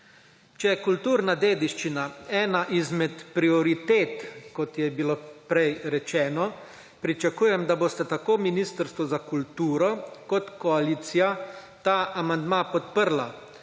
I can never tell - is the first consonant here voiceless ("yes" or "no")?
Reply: yes